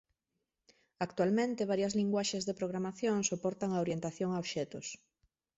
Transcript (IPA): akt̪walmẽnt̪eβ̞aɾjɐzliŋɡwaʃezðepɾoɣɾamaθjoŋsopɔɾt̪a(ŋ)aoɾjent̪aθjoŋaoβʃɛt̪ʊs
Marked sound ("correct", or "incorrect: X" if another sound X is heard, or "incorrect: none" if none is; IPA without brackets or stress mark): correct